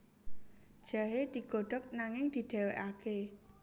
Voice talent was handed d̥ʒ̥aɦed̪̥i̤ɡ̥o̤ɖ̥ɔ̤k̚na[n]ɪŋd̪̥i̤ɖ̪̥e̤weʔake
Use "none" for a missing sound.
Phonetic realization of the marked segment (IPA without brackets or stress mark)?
ŋ